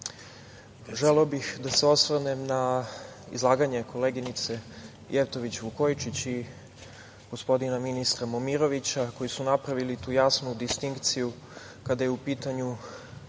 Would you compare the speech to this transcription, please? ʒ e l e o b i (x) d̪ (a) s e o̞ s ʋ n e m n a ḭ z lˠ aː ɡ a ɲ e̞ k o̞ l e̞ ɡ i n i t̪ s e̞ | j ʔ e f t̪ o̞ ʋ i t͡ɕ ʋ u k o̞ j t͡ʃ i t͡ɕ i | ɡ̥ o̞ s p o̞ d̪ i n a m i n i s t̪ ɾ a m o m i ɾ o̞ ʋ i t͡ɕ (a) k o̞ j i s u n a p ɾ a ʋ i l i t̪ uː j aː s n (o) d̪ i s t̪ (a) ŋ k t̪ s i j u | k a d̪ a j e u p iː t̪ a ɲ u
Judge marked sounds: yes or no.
yes, yes, yes, no, no

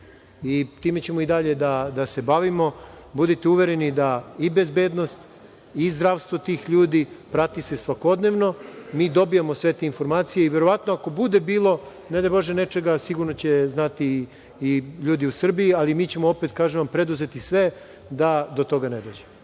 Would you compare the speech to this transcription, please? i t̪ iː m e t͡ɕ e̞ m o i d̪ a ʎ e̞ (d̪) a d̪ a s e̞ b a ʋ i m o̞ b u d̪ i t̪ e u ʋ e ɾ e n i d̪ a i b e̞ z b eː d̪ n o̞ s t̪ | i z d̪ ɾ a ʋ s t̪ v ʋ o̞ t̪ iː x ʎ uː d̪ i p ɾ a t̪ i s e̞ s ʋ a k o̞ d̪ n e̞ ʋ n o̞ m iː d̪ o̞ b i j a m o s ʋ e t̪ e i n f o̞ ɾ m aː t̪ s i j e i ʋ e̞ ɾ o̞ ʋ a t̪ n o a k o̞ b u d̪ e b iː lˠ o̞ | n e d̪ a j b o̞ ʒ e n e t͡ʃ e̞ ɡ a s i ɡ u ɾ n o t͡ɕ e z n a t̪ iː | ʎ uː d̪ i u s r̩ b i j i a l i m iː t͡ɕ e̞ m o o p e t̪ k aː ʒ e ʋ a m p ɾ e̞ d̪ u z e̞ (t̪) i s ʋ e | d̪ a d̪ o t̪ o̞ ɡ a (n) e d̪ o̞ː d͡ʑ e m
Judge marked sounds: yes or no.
yes, yes, yes

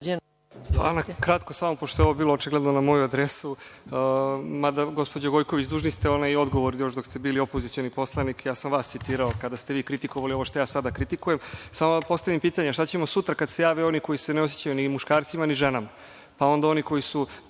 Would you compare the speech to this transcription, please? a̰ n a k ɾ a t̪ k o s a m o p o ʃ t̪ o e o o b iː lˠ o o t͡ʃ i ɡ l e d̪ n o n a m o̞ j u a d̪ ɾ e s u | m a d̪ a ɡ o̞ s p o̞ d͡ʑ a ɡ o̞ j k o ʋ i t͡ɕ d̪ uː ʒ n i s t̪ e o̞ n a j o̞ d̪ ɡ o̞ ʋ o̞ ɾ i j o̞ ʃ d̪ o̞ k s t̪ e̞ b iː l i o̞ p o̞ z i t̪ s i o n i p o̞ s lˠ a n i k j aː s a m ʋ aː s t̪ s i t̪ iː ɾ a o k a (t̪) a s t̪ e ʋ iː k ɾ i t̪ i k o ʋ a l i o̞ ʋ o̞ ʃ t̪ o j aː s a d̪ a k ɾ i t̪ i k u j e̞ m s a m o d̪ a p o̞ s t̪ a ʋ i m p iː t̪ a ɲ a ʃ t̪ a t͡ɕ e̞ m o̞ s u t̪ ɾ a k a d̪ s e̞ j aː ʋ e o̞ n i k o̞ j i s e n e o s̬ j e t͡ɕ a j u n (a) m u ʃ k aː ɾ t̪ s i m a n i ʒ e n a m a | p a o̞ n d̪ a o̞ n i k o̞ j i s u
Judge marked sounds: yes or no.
no, no

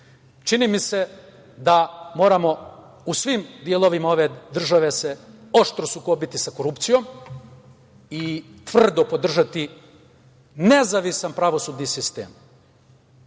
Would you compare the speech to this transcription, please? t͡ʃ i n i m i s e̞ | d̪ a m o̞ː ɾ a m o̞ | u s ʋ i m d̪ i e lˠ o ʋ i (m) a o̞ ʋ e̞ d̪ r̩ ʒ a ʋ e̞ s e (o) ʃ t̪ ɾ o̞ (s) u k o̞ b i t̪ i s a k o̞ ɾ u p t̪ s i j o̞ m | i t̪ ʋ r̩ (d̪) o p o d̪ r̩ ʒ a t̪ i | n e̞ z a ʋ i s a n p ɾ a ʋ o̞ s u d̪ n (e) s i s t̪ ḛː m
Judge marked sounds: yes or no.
yes, yes, yes, yes, no

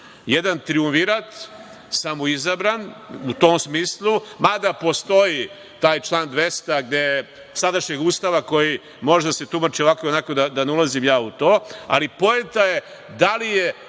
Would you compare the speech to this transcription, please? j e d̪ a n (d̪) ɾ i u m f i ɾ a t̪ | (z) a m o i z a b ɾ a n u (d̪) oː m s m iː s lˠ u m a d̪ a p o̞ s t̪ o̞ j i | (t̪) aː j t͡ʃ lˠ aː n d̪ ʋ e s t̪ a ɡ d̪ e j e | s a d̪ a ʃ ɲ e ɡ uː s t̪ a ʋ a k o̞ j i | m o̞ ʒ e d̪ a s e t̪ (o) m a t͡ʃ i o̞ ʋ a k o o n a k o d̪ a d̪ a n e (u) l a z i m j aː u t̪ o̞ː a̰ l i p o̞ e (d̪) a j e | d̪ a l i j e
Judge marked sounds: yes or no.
no, no, no, yes, no, yes, no

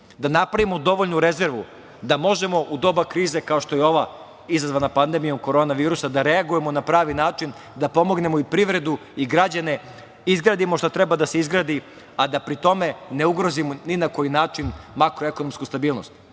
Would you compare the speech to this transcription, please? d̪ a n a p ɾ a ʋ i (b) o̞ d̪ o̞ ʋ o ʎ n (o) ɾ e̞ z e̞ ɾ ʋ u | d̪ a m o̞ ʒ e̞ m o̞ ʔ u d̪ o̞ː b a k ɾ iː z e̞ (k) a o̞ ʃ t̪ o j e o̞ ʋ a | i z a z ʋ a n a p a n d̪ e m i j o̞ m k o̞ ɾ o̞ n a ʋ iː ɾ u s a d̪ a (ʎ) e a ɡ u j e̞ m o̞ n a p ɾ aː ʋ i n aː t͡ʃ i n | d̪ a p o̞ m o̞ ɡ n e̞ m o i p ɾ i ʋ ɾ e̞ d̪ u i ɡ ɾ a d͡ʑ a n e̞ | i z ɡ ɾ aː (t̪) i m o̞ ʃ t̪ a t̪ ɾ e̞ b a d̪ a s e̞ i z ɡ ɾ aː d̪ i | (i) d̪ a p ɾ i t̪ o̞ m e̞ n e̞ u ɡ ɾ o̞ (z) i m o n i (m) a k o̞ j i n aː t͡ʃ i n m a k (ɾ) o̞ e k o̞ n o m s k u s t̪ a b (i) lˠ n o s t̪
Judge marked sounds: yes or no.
no, no, yes, no, no, no, yes, no, yes, no

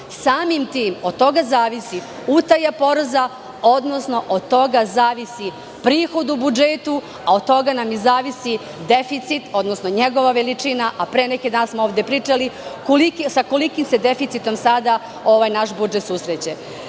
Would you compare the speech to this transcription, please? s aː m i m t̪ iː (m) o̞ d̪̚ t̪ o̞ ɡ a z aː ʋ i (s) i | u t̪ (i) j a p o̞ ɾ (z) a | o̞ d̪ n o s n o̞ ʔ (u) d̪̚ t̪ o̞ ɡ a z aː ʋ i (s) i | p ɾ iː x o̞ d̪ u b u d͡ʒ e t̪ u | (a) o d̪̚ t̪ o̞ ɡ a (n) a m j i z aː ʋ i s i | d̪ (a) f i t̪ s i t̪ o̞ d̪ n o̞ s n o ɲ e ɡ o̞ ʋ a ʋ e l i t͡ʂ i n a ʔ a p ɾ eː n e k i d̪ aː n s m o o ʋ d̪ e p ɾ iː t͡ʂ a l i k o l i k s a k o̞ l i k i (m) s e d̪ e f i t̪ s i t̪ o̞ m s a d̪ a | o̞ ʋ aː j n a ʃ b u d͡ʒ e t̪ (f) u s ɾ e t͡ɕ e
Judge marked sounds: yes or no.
yes, yes, no, yes, no, yes, yes, yes, no, yes, no

